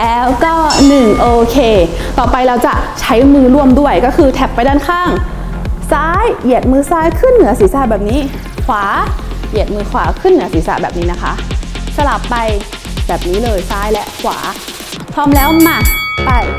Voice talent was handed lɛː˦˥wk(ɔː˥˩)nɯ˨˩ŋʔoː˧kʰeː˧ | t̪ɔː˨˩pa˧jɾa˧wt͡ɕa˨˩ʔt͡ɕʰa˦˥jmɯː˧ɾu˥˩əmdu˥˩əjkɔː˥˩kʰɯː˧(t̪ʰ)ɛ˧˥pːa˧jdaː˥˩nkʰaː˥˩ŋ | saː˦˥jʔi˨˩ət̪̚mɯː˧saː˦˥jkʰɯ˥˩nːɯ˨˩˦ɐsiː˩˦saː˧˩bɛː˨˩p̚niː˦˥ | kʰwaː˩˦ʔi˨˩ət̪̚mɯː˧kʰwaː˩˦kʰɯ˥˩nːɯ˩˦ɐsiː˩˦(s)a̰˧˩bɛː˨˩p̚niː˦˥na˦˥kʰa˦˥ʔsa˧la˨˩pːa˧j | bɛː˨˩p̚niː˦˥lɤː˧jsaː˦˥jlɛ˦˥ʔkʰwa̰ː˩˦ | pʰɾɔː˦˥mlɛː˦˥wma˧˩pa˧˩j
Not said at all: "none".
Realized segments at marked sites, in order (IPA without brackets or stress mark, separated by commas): ɔː˥˩, t̪ʰ, s